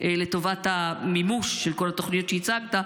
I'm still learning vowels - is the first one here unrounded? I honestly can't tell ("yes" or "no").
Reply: yes